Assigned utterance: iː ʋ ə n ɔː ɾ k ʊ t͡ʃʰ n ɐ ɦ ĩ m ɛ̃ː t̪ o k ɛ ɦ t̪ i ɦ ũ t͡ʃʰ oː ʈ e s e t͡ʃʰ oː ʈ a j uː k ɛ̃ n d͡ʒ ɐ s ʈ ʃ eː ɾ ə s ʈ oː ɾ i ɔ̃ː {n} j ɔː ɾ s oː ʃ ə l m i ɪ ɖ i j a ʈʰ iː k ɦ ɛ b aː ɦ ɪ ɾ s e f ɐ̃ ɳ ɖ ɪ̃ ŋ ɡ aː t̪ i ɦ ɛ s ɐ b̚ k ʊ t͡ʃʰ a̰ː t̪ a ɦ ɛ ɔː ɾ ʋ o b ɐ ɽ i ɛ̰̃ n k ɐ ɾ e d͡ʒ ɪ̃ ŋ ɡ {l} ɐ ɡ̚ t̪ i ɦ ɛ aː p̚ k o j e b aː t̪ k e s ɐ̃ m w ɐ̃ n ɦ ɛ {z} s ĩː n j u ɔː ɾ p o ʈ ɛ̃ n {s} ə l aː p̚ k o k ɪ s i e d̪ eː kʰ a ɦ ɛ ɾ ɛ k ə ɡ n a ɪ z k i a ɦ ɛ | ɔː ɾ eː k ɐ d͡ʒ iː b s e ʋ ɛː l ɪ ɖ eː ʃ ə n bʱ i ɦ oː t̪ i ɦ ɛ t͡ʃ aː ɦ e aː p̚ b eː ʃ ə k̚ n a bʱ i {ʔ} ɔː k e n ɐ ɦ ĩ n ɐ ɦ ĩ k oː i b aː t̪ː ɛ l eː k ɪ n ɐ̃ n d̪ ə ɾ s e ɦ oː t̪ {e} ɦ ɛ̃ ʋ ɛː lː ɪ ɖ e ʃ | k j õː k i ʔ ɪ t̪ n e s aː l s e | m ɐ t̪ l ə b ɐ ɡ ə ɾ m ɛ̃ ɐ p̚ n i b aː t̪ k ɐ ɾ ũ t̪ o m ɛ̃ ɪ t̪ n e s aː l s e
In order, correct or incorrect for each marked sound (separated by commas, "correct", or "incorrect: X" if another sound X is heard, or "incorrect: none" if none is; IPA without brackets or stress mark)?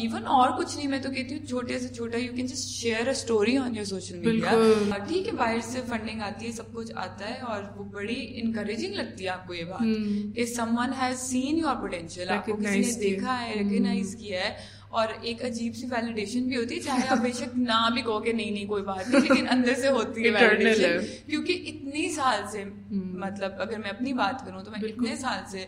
correct, correct, correct, incorrect: ʃ, incorrect: k, incorrect: i